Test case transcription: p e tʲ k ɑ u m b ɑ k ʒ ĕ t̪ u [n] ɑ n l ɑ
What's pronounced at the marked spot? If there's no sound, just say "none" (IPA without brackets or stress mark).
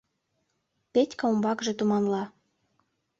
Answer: m